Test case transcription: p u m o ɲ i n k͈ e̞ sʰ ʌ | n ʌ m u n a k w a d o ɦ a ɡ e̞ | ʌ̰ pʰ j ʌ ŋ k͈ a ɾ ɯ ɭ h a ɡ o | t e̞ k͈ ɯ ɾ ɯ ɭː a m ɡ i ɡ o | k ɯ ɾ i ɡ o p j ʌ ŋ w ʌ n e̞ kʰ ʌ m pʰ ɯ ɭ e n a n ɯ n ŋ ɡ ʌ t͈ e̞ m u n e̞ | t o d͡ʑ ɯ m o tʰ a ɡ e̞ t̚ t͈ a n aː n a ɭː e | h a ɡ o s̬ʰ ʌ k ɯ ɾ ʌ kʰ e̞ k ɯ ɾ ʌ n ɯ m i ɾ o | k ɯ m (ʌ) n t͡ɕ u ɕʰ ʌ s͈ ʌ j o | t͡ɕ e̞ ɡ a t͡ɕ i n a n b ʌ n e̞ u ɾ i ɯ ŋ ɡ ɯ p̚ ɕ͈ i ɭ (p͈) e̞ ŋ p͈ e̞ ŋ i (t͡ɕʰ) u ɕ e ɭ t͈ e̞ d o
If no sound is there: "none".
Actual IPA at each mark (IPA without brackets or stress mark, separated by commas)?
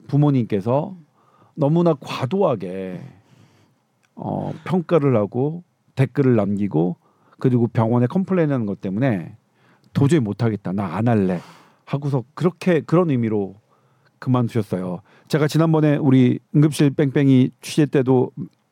a, p͈, t͡ɕʰ